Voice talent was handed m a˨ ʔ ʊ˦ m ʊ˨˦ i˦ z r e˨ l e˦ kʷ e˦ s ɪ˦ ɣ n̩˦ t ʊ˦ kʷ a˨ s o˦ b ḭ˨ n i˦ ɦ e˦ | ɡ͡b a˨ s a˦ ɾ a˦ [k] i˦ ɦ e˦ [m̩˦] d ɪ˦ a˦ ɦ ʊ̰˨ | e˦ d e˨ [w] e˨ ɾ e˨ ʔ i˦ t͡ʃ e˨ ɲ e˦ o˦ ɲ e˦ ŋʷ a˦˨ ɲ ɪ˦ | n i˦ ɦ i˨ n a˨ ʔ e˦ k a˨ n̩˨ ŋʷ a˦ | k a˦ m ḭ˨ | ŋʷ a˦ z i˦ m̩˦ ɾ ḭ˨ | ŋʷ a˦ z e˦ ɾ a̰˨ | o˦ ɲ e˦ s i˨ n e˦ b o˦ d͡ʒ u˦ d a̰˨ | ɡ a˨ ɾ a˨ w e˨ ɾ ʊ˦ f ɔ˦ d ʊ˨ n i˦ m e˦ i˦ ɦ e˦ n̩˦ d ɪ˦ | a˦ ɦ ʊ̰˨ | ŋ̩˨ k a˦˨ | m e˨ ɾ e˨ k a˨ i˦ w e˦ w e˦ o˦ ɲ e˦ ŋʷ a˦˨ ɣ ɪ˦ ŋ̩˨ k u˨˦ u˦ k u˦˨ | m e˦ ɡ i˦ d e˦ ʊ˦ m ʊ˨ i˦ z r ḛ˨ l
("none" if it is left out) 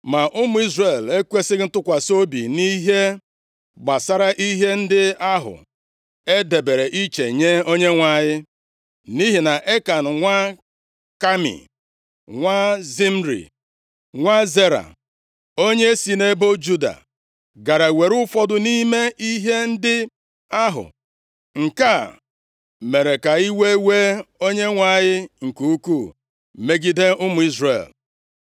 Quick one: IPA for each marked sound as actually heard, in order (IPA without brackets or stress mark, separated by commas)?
ʔ, n̩˦, b